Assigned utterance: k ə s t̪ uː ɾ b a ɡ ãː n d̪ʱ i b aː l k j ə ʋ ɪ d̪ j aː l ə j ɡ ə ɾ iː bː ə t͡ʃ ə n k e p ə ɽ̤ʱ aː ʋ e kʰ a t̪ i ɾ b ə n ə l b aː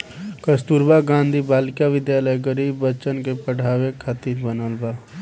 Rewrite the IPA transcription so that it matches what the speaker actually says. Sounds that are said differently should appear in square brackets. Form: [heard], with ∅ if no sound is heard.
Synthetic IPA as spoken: k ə s t̪ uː ɾ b a ɡ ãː n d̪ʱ i b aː l k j [a] ʋ ɪ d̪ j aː l ə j ɡ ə ɾ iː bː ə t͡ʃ ə n k e p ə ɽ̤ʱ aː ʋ e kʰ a t̪ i ɾ b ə n ə l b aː